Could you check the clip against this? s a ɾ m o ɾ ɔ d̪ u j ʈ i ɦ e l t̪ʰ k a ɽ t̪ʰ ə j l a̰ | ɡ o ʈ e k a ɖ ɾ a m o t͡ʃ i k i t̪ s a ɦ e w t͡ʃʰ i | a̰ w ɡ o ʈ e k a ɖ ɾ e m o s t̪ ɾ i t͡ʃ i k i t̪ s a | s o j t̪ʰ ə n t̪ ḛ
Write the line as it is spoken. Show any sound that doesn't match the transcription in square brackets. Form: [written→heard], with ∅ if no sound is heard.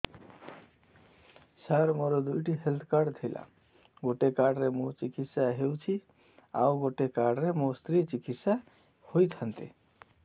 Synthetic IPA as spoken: s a ɾ m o ɾ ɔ d̪ u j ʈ i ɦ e l t̪ʰ k a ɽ t̪ʰ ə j l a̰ | ɡ o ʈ e k a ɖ ɾ [a→e] m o t͡ʃ i k i t̪ s a ɦ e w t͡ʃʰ i | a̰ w ɡ o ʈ e k a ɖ ɾ e m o s t̪ ɾ i t͡ʃ i k i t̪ s a | [s→h] o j t̪ʰ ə n t̪ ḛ